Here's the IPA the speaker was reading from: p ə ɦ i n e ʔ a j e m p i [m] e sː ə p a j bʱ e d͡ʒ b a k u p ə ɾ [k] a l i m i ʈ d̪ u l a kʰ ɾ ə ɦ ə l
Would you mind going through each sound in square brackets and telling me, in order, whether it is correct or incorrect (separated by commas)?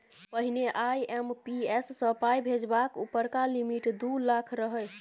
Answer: incorrect, correct